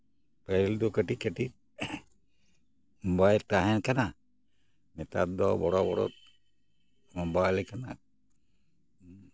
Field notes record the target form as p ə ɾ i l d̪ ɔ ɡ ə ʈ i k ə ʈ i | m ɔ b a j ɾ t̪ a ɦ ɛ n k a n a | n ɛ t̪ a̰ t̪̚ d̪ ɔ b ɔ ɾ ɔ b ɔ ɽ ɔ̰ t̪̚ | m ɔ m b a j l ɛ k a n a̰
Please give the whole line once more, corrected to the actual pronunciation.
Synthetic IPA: p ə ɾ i l d̪ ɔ k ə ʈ i k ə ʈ i | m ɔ b a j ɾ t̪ a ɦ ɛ n k a n a | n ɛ t̪ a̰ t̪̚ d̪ ɔ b ɔ ɽ ɔ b ɔ ɽ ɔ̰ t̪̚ | m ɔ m b a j l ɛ k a n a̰